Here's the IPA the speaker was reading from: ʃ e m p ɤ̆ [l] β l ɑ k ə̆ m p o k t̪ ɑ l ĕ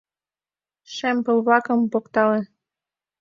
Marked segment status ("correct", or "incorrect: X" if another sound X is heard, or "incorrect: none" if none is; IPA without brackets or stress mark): correct